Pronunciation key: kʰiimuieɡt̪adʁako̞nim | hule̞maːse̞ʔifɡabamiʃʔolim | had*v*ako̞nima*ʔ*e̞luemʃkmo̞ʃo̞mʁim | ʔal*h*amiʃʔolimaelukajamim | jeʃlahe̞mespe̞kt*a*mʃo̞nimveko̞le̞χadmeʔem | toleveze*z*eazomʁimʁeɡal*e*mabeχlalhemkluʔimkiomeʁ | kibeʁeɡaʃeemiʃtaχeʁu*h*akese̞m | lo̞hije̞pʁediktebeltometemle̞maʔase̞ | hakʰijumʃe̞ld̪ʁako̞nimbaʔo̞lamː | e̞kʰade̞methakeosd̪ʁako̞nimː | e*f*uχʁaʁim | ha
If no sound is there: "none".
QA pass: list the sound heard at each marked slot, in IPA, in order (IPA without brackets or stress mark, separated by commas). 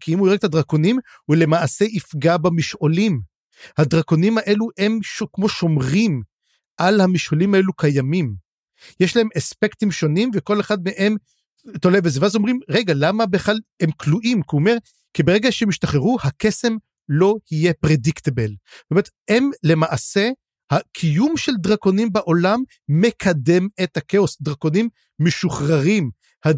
ʁ, ʔ, h, i, v, a, h, ʃ